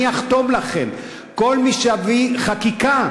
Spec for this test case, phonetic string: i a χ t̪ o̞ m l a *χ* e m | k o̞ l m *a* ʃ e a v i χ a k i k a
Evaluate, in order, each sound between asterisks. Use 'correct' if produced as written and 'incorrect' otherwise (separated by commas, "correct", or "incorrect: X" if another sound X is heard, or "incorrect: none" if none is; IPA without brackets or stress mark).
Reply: correct, incorrect: i